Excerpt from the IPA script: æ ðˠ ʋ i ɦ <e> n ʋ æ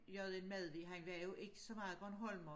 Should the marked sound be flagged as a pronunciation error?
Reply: yes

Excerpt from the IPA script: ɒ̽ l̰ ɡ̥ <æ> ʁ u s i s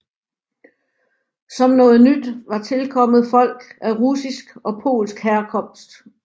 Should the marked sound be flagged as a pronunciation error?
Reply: no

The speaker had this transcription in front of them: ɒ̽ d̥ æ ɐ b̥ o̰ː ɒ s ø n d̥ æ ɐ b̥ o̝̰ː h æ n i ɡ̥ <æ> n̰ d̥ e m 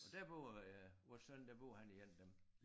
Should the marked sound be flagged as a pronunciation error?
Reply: yes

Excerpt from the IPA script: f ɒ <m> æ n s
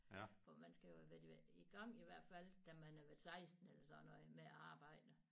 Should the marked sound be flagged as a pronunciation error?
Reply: no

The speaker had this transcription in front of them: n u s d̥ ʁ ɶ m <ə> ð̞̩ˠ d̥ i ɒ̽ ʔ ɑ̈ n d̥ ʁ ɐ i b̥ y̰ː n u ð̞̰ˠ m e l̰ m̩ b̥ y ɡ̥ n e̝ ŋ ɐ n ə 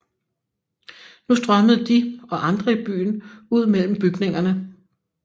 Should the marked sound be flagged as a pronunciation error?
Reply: no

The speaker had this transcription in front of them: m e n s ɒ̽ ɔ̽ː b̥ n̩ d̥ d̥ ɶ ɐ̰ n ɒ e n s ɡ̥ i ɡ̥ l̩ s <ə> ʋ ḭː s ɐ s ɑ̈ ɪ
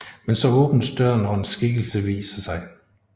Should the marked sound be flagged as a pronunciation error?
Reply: no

